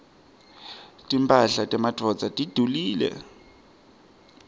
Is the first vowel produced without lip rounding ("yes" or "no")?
yes